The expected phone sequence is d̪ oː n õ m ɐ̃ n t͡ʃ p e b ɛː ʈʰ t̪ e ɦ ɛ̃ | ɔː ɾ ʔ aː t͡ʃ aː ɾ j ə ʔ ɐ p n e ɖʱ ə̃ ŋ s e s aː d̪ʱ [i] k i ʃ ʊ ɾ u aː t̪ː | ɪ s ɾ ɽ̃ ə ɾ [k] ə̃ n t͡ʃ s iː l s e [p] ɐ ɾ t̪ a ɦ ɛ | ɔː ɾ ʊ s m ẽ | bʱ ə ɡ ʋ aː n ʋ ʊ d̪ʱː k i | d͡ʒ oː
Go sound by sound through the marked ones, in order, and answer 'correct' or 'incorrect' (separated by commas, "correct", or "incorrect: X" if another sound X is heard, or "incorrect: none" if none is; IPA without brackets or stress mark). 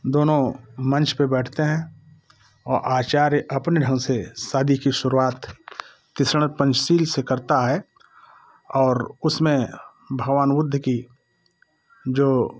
correct, incorrect: p, incorrect: k